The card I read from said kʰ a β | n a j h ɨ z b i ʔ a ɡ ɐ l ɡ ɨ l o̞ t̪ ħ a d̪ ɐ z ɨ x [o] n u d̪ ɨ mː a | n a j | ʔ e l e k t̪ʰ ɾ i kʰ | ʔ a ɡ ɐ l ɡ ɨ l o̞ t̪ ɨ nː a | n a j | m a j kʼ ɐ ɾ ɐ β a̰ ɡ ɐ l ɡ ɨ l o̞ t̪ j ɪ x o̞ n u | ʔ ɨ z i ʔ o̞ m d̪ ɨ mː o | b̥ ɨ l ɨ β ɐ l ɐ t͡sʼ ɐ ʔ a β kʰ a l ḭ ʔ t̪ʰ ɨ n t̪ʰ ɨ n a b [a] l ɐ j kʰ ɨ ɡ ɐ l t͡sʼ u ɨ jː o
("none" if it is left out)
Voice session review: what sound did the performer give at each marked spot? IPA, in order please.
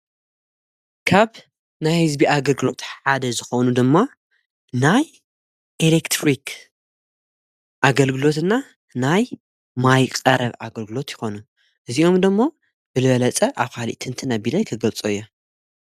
o, i

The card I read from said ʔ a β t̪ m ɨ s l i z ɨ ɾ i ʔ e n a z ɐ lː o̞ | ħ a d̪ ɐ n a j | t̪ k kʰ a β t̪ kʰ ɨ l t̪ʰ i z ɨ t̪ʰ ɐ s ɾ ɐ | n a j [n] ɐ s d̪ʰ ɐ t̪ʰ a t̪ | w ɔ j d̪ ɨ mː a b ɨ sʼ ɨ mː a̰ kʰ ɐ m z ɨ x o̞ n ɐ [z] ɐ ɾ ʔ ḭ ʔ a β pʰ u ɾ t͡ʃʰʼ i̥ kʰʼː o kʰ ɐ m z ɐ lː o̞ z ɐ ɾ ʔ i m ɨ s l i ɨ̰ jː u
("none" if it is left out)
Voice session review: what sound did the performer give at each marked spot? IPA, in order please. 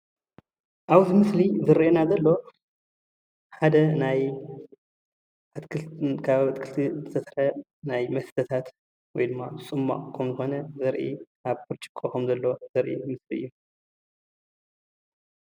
m, z

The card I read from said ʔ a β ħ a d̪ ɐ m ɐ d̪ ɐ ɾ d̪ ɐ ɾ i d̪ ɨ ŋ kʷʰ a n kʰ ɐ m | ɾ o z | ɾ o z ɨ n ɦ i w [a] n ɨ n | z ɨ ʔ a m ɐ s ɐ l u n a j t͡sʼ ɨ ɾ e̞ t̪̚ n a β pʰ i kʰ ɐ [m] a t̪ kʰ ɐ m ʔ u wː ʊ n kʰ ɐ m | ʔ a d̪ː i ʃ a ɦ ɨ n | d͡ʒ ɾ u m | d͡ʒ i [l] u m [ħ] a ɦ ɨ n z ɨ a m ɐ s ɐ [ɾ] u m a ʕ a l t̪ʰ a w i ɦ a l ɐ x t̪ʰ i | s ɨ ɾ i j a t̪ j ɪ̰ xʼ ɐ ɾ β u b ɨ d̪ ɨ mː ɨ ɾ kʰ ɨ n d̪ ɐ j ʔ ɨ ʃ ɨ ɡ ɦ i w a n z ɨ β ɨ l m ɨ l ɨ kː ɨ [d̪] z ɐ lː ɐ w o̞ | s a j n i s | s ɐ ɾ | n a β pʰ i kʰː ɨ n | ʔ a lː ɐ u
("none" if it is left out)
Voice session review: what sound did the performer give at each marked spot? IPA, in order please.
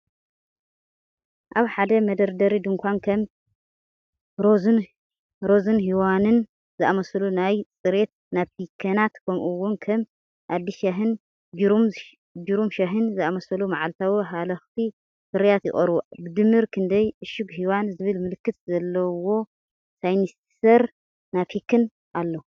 a, n, ɾ, ʃ, l, t̪

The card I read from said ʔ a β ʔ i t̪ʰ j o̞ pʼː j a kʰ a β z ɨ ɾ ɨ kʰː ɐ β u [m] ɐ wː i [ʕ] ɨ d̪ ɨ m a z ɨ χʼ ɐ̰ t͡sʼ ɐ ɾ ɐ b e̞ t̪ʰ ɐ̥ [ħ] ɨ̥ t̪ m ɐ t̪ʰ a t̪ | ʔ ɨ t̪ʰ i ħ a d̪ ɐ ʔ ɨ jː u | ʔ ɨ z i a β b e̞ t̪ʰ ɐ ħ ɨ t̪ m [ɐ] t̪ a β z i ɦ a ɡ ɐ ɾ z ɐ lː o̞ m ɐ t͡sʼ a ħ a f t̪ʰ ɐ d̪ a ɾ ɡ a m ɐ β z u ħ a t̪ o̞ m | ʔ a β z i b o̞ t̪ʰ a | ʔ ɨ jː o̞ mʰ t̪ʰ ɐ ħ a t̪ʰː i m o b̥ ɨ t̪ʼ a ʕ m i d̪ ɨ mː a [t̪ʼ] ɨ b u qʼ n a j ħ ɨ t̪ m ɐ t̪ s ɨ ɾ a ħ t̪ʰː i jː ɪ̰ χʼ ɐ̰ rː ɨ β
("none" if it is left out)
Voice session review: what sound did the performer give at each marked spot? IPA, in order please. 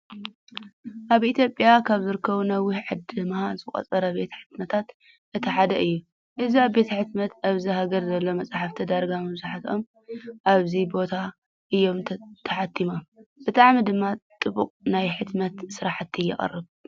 n, ʕ, ħ, ɐ, t̪ʼ

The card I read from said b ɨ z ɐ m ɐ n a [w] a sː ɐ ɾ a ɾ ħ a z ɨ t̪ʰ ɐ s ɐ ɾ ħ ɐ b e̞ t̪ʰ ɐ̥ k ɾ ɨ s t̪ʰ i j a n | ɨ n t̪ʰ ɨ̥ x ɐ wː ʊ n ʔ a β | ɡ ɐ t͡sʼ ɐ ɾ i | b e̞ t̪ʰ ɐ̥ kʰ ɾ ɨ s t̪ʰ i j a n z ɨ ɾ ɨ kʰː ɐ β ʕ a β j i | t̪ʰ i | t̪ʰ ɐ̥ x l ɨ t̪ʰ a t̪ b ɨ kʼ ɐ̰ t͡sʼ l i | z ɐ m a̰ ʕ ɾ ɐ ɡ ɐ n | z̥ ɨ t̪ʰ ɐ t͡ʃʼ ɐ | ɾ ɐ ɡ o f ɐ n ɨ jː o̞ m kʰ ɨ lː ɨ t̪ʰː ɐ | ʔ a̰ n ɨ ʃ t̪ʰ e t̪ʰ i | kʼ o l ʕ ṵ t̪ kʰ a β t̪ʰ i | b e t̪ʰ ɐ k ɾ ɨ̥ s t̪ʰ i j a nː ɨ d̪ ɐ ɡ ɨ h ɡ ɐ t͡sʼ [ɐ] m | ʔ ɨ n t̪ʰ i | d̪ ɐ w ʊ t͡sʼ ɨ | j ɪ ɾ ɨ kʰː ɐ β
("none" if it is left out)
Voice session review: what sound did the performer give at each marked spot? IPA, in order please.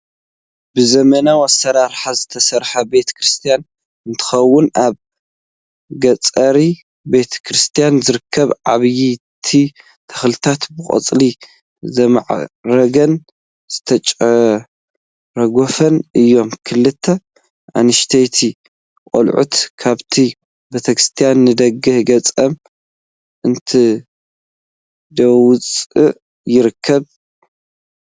w, ɐ

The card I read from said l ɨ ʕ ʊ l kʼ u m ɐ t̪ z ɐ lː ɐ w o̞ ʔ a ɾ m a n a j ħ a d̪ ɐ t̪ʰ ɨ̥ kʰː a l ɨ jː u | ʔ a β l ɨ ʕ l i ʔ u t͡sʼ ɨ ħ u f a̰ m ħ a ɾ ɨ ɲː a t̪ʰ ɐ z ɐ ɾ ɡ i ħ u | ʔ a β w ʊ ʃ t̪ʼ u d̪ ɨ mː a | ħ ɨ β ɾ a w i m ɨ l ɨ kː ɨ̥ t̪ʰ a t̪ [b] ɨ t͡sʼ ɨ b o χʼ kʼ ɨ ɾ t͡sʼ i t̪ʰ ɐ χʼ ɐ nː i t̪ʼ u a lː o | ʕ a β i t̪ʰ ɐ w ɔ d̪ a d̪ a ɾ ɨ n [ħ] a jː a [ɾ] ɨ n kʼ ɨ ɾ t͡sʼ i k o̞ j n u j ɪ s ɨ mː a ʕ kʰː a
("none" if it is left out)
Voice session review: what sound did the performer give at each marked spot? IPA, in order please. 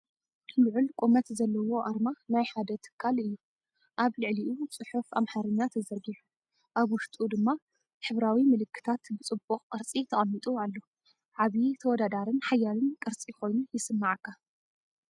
b, ħ, l

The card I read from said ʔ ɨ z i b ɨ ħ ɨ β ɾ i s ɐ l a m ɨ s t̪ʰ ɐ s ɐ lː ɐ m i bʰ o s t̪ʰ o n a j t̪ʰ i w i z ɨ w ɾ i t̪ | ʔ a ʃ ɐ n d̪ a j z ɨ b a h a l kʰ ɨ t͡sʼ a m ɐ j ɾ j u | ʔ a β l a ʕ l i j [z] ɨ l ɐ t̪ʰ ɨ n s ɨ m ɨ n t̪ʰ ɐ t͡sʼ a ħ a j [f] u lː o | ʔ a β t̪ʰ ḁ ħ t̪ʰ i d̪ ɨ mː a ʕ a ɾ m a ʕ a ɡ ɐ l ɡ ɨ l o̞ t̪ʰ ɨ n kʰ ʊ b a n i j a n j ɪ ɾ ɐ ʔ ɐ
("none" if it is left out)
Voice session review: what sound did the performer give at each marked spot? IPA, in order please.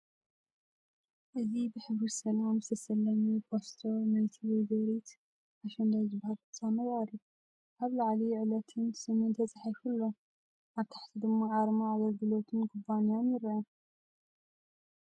ʕ, f

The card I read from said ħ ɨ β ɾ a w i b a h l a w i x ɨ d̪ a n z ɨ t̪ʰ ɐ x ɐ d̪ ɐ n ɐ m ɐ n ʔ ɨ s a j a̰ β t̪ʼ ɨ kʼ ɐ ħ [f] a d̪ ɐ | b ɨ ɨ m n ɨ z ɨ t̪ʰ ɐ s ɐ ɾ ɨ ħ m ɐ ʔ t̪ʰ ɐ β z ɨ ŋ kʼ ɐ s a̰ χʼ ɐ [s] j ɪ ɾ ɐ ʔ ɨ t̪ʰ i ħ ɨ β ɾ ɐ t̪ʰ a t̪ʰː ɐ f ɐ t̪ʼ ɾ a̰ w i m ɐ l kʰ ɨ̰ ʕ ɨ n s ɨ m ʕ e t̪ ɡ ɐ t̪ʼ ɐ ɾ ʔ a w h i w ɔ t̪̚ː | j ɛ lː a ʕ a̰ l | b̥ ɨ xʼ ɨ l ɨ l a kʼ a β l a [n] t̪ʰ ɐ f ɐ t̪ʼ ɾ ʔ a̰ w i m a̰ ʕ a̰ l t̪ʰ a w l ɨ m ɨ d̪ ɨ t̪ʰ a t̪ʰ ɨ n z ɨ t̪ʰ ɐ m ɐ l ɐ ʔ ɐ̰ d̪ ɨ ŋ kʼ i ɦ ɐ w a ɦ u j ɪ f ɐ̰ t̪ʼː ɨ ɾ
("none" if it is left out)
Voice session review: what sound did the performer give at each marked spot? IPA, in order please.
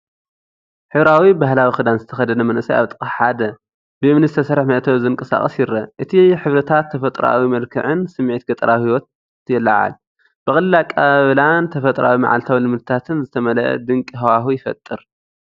ħ, s, n

